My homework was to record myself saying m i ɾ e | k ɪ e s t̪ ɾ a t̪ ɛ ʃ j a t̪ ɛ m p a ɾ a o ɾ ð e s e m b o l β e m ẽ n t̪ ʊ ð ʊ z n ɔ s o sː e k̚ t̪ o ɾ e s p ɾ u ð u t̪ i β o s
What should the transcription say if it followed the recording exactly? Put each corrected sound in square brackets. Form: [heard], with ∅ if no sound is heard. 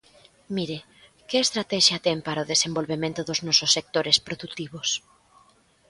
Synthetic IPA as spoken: m i ɾ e | k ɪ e s t̪ ɾ a t̪ ɛ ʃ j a t̪ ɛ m p a ɾ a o [∅] ð e s e m b o l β e m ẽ n t̪ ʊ ð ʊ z n ɔ s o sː e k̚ t̪ o ɾ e s p ɾ [o] ð u t̪ i β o s